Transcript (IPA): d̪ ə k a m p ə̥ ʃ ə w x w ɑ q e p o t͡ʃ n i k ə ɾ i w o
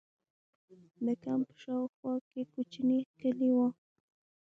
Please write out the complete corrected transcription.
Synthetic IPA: d̪ ə k a m p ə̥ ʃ ɑ w x w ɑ k e k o t͡ʃ n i k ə l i w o